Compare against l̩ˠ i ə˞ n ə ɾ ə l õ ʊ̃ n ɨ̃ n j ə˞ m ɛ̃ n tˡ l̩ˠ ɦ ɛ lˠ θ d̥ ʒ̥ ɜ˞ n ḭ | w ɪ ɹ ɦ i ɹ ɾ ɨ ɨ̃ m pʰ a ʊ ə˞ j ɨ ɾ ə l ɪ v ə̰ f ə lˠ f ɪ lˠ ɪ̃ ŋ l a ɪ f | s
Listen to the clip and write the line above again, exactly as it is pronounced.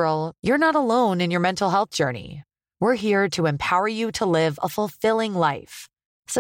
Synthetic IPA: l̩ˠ j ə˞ n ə ɾ ə l õ ʊ̃ n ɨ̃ n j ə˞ m ɛ̃ n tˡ l̩ˠ ɦ ɛ lˠ θ d̥ ʒ̥ ɜ˞ n ḭ | w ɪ ɹ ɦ i ɹ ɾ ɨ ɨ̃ m pʰ a ʊ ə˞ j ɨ ɾ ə l ɪ v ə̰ f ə lˠ f ɪ lˠ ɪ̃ ŋ l a ɪ f | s